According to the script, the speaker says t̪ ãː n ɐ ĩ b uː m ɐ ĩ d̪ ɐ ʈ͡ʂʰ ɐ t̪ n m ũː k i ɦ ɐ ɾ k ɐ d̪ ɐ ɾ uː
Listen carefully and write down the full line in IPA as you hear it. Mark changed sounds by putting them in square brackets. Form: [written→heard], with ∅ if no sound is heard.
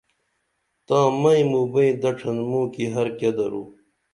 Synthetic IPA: t̪ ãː [n→m] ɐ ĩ [b→m] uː [m→b] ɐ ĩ d̪ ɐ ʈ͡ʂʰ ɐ [t̪→∅] n m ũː k i ɦ ɐ ɾ k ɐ d̪ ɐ ɾ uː